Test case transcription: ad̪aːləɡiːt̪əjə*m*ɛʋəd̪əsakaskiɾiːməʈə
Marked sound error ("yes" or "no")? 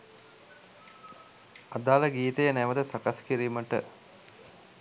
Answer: yes